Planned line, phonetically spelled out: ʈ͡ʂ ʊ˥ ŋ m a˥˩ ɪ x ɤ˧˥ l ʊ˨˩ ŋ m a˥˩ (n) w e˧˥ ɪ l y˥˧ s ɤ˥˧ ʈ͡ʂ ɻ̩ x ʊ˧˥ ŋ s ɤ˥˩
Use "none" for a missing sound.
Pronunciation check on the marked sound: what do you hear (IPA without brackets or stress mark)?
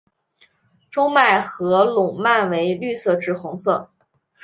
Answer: n